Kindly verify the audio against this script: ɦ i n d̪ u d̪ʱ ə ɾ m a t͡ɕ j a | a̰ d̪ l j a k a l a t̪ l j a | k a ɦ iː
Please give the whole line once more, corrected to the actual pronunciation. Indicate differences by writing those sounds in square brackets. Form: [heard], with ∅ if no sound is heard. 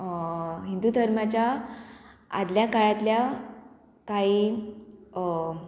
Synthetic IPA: ɦ i n d̪ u d̪ʱ ə ɾ m a t͡ɕ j a | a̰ d̪ l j a k a [ɭ] a t̪ l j a | k a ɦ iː